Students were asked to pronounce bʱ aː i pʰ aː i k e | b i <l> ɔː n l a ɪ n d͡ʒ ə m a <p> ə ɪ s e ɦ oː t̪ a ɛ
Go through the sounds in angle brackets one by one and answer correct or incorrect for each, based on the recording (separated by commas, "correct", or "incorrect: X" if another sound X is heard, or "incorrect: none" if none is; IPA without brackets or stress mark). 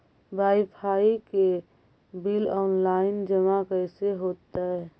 correct, incorrect: k